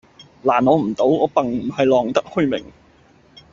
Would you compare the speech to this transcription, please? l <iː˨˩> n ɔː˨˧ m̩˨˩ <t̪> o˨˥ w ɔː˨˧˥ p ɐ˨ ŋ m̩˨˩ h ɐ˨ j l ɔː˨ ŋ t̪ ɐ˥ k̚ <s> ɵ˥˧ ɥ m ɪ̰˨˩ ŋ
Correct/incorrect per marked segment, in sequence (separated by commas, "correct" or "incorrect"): incorrect, correct, incorrect